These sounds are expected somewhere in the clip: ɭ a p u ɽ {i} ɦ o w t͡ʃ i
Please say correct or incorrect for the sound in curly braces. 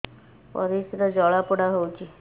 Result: incorrect